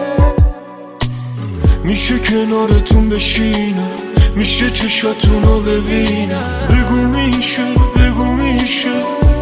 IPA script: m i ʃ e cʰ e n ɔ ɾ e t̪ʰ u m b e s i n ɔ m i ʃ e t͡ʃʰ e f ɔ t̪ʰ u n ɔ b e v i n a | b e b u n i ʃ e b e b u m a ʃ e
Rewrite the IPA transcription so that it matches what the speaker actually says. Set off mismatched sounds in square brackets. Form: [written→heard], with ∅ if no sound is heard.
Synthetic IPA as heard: m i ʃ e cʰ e n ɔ ɾ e t̪ʰ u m b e [s→ʃ] i n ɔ m i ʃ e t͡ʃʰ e [f→ʃ] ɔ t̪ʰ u n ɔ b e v i n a | b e [b→ɡ] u [n→m] i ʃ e b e [b→ɡ] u m [a→i] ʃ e